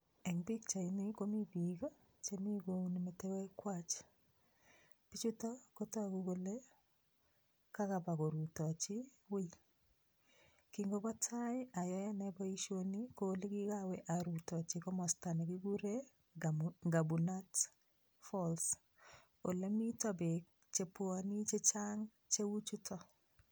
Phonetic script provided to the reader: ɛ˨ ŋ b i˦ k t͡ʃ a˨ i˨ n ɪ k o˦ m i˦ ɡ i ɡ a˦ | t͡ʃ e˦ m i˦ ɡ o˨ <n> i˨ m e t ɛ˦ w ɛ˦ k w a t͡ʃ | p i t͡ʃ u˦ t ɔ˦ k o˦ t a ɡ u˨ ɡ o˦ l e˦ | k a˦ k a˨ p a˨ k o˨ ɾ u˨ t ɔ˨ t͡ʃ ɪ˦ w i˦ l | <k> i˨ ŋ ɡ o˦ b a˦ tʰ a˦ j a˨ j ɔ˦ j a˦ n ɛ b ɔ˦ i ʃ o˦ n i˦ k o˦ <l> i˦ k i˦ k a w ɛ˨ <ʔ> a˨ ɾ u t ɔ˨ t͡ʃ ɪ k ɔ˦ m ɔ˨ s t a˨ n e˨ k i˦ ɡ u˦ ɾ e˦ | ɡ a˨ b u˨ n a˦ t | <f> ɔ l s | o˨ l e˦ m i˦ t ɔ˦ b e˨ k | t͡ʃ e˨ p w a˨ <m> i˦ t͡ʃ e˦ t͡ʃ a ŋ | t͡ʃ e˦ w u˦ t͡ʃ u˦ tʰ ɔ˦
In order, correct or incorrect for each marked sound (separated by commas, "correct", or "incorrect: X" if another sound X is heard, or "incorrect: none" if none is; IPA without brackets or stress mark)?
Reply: correct, correct, correct, correct, correct, incorrect: n